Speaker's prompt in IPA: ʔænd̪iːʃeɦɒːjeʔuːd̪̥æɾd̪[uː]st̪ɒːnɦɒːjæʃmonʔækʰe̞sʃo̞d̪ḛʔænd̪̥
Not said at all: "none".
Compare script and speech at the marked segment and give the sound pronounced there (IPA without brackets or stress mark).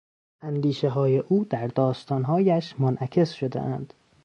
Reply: ɒː